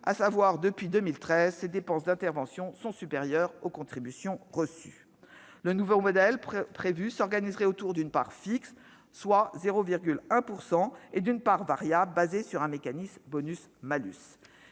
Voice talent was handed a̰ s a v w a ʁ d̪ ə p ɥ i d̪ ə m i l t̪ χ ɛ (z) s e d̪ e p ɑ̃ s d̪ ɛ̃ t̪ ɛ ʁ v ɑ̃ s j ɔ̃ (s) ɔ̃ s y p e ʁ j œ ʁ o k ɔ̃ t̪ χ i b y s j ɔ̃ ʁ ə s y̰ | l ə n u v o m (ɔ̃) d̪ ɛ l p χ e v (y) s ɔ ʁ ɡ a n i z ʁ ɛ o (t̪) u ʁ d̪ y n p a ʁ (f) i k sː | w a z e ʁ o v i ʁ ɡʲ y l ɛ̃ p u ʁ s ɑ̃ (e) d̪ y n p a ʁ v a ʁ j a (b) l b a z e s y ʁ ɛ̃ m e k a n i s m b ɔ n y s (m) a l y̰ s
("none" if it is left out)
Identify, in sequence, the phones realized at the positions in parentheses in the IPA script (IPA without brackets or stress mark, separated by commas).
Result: z, s, ɔ, y, t̪, f, e, b, m